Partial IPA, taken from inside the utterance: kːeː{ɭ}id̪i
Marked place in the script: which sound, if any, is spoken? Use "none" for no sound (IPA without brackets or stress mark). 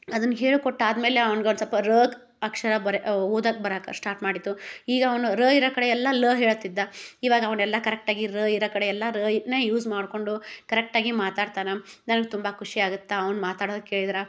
ɭ